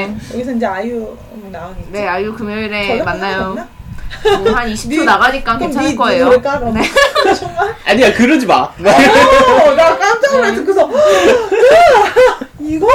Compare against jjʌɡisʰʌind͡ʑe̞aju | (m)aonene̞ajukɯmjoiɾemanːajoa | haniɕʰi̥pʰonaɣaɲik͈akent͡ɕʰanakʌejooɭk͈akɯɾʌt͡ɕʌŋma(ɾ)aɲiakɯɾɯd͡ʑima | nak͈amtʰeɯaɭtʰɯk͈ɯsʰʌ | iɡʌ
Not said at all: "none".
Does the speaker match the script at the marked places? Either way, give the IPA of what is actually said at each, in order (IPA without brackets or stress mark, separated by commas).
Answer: n, ɭ